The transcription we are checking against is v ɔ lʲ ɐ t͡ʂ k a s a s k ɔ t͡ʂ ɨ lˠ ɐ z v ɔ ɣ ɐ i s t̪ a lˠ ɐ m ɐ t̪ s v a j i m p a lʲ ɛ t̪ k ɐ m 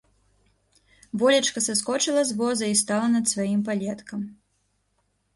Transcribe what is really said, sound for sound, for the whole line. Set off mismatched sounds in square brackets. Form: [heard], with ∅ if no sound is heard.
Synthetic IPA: v ɔ lʲ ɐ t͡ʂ k [ɐ] s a s k ɔ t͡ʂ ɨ lˠ ɐ z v ɔ [z] ɐ i s t̪ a lˠ ɐ [n] ɐ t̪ s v a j i m p a lʲ ɛ t̪ k ɐ m